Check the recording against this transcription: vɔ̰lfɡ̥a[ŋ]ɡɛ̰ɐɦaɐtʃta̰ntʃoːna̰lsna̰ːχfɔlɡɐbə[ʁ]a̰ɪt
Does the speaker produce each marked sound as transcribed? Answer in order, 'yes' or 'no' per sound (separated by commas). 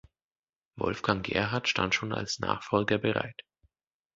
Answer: yes, yes